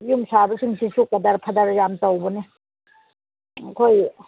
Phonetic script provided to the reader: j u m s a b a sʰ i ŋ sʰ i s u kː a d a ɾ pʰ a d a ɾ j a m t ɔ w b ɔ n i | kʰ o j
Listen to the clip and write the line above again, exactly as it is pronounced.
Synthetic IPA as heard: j u m s a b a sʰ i ŋ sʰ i s u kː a d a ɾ pʰ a d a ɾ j a m t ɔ w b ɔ n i | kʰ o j